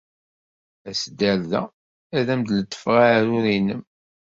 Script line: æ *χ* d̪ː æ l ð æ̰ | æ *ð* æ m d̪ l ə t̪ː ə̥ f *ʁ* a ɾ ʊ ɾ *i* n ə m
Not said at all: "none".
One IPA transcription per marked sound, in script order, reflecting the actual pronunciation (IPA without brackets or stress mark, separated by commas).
s, ð, ʁ, i